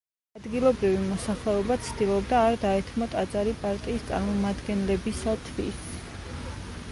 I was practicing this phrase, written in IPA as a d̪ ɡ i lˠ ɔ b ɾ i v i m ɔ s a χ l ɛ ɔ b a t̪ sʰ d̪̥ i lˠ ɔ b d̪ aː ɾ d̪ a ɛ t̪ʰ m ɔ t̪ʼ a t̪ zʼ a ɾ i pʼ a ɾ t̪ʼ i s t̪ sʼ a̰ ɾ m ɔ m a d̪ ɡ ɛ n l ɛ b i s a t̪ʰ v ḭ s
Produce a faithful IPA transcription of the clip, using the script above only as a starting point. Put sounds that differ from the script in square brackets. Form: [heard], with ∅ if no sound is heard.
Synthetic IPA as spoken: a d̪ ɡ i lˠ ɔ b ɾ i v i m ɔ s a χ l ɛ ɔ b a t̪ sʰ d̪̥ i lˠ ɔ b d̪ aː ɾ d̪ a ɛ t̪ʰ m ɔ t̪ʼ a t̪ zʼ a ɾ i pʼ a ɾ t̪ʼ [iː] s t̪ sʼ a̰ ɾ m ɔ m a d̪ ɡ ɛ n l ɛ b i s a t̪ʰ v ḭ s

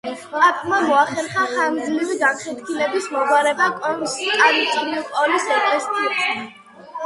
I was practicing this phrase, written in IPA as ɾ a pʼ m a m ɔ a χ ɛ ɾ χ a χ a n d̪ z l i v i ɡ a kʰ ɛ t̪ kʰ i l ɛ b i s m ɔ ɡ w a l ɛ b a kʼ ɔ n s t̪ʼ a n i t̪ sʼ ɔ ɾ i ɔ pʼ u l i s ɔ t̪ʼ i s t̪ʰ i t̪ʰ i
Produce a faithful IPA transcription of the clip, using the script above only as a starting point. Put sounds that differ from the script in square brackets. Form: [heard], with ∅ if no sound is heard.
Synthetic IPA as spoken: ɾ a pʼ m a m ɔ a χ ɛ ɾ χ a χ a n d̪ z l i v i ɡ a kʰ ɛ t̪ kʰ i l ɛ b i s m ɔ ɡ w a [ɾ] ɛ b a kʼ ɔ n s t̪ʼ a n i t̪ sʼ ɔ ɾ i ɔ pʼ [ɔ] l i s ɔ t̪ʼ [ɛ] s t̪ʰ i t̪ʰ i

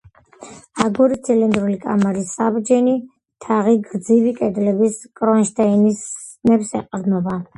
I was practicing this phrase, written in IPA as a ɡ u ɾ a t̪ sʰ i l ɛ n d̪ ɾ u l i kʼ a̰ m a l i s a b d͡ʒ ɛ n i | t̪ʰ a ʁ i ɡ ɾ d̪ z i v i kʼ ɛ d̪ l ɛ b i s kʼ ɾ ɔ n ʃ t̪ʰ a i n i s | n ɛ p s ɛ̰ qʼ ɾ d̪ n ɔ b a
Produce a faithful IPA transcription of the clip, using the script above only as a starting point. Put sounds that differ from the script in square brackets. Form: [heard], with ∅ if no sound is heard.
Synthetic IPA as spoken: a ɡ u ɾ [i] t̪ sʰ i l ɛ n d̪ ɾ u l i kʼ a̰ m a [ɾ] i s a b d͡ʒ ɛ n i | t̪ʰ a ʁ i ɡ ɾ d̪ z i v i kʼ ɛ d̪ l ɛ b i s kʼ ɾ ɔ n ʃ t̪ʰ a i n i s | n ɛ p s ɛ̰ qʼ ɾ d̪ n ɔ b a

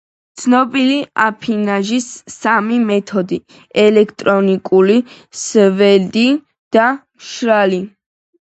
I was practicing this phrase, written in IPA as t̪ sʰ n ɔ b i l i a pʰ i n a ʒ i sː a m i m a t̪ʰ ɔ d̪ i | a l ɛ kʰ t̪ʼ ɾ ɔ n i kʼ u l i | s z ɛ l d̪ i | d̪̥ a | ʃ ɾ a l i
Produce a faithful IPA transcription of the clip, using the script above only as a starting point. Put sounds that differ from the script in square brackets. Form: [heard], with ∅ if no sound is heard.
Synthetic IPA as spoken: t̪ sʰ n ɔ b i l i a pʰ i n a ʒ i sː a m i m [ɛ] t̪ʰ ɔ d̪ i | [ɛ] l ɛ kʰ t̪ʼ ɾ ɔ n i kʼ u l i | s [v] ɛ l d̪ i | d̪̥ a | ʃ ɾ a l i

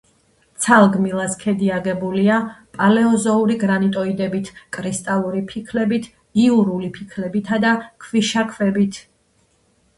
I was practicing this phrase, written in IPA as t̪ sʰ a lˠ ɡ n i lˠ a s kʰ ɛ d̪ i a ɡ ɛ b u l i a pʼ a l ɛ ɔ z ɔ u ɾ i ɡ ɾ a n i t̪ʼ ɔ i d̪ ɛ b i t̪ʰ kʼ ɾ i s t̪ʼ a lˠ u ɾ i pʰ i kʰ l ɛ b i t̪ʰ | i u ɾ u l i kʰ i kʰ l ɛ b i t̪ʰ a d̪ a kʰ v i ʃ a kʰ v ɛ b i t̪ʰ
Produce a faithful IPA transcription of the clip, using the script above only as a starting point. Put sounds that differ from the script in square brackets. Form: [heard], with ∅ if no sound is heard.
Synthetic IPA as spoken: t̪ sʰ a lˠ ɡ [m] i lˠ a s kʰ ɛ d̪ i a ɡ ɛ b u l i a pʼ a l ɛ ɔ z ɔ u ɾ i ɡ ɾ a n i t̪ʼ ɔ i d̪ ɛ b i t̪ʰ kʼ ɾ i s t̪ʼ a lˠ u ɾ i pʰ i kʰ l ɛ b i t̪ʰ | i u ɾ u l i [pʰ] i kʰ l ɛ b i t̪ʰ a d̪ a kʰ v i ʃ a kʰ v ɛ b i t̪ʰ

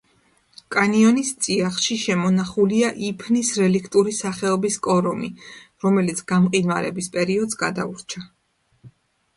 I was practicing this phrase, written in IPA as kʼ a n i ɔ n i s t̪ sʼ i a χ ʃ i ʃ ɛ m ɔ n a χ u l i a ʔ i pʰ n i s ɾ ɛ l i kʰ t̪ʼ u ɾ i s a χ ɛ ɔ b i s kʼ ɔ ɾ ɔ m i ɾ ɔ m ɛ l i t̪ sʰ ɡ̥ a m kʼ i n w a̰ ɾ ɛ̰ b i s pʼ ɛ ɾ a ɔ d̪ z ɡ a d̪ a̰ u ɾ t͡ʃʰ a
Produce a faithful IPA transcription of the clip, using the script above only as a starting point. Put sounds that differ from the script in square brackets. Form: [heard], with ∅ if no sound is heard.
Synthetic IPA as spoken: kʼ a n i ɔ n i s t̪ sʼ i a χ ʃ i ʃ ɛ m ɔ n a χ u l i a ʔ i pʰ n i s ɾ ɛ l i kʰ t̪ʼ u ɾ i s a χ ɛ ɔ b i s kʼ ɔ ɾ ɔ m i ɾ ɔ m ɛ l i t̪ sʰ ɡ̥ a m [qʼ] i n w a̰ ɾ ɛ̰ b i s pʼ ɛ ɾ [i] ɔ d̪ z ɡ a d̪ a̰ u ɾ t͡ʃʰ a

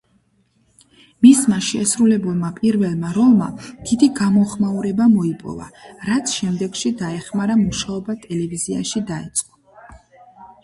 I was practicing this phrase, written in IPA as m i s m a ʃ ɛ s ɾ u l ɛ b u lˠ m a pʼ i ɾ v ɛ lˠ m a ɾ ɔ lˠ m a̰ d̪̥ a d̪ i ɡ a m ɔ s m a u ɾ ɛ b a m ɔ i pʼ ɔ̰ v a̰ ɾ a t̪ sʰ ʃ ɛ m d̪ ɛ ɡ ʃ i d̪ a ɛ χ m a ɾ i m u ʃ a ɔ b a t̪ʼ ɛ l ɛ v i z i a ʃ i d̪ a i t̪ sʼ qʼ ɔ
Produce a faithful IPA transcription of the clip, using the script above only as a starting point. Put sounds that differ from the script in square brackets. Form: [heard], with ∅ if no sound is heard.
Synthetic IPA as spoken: m i s m a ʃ ɛ s ɾ u l ɛ b u lˠ m a pʼ i ɾ v ɛ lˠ m a ɾ ɔ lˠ m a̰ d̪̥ [i] d̪ i ɡ a m ɔ [χ] m a u ɾ ɛ b a m ɔ i pʼ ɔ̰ v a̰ ɾ a t̪ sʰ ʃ ɛ m d̪ ɛ ɡ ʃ i d̪ a ɛ χ m a ɾ [a] m u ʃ a ɔ b a t̪ʼ ɛ l ɛ v i z i a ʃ i d̪ a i t̪ sʼ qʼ ɔ

